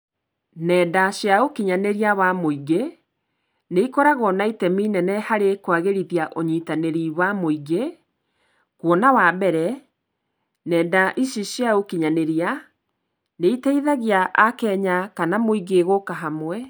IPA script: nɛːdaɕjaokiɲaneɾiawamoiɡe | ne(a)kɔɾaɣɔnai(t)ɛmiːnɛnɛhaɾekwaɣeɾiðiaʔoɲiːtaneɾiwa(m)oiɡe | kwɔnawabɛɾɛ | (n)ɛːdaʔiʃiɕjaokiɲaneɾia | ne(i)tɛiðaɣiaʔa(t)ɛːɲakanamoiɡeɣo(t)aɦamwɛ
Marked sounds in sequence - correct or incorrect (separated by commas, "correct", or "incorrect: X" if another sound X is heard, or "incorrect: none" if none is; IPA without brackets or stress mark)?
incorrect: i, correct, correct, correct, correct, incorrect: k, incorrect: k